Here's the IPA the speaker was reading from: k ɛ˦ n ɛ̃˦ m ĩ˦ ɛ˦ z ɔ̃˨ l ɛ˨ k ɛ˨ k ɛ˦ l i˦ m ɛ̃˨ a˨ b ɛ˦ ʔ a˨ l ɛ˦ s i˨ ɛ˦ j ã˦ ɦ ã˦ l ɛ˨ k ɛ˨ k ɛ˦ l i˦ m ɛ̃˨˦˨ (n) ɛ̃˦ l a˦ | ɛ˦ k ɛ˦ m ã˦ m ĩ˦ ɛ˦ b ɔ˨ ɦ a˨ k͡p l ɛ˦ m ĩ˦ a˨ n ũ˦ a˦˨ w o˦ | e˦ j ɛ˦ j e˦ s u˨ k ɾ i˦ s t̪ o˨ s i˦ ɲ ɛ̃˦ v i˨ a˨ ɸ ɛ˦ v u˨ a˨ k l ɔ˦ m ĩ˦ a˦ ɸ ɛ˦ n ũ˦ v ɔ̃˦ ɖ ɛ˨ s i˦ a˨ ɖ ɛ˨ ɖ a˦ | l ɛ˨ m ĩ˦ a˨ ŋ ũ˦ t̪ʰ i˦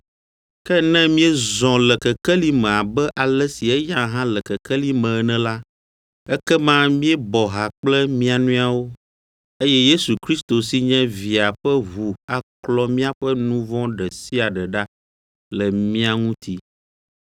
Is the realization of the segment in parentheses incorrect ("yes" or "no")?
no